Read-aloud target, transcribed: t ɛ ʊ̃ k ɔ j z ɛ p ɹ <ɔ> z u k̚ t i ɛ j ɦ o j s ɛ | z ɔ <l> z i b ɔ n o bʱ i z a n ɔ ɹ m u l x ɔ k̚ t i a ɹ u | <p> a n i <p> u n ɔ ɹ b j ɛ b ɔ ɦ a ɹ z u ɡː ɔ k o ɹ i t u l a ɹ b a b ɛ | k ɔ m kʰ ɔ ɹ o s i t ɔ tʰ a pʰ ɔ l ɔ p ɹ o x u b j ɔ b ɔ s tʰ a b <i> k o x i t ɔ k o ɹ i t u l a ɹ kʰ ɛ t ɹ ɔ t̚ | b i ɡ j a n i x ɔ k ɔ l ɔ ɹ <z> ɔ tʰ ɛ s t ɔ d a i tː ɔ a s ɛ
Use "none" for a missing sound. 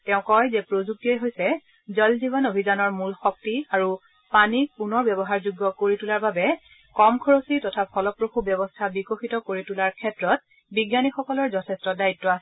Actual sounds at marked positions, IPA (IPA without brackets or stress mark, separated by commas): o, l, p, p, i, z